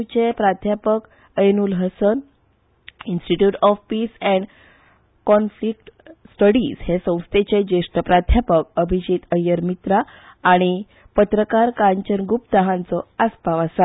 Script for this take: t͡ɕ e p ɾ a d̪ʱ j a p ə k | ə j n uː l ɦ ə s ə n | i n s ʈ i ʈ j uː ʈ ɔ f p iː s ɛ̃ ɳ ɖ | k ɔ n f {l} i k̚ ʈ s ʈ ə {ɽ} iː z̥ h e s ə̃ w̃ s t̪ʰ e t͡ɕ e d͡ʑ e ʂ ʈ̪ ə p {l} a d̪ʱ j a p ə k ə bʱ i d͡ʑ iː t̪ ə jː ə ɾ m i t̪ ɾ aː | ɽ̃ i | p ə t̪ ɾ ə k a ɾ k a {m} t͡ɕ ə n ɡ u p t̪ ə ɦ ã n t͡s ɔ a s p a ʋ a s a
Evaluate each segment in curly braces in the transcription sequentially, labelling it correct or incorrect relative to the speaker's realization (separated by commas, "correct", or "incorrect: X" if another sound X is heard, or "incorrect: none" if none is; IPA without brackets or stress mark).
correct, correct, incorrect: ɾ, incorrect: ɲ